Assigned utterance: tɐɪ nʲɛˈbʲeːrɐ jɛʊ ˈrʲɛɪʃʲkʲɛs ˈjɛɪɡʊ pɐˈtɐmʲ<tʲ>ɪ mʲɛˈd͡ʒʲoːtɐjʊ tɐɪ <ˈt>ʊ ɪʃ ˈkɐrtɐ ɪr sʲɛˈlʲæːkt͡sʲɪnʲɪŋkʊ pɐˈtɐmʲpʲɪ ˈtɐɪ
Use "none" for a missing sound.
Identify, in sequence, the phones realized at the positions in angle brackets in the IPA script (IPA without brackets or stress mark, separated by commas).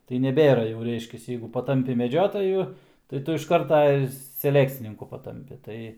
pʲ, t